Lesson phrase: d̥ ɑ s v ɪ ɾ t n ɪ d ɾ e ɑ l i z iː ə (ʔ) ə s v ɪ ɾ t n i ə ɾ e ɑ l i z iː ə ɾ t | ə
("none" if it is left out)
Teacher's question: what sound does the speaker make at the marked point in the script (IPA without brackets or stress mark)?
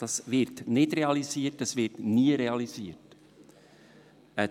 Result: t